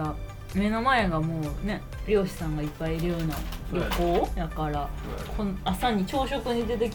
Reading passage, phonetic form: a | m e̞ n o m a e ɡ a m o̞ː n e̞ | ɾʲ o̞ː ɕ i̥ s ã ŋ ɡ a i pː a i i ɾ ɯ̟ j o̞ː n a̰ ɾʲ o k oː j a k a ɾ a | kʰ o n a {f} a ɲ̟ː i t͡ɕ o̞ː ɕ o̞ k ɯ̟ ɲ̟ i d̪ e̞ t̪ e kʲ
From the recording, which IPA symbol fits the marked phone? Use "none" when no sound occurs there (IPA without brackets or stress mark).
s